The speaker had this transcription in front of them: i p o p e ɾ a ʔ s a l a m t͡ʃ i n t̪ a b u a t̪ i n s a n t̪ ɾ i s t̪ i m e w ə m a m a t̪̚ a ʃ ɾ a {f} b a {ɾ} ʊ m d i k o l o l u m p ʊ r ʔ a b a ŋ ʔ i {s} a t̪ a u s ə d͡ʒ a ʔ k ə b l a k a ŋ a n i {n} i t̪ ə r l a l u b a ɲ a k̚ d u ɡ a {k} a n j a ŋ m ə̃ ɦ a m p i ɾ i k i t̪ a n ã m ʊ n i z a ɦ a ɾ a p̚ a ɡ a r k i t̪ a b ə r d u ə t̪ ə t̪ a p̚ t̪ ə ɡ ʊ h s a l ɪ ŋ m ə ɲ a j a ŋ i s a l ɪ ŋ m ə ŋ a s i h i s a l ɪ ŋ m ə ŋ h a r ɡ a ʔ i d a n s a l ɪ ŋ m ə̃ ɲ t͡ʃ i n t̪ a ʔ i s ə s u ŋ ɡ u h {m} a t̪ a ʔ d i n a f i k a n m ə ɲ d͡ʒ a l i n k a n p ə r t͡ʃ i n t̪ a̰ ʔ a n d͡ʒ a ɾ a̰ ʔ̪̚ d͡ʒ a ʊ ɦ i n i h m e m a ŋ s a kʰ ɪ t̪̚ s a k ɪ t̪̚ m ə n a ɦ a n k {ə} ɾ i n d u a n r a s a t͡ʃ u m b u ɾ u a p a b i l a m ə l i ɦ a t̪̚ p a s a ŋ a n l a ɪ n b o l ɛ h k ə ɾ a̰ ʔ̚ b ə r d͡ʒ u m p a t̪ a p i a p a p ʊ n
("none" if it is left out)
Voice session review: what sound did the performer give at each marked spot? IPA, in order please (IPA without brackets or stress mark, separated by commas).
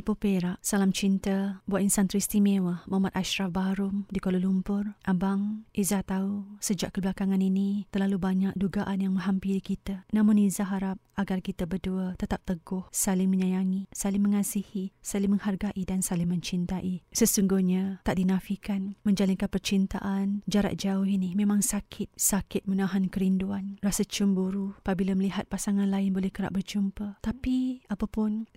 f, ɾ, z, n, ʔ, ɲ, ə